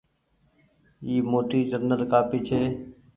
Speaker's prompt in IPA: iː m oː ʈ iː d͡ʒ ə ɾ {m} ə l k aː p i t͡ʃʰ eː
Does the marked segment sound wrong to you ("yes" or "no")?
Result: yes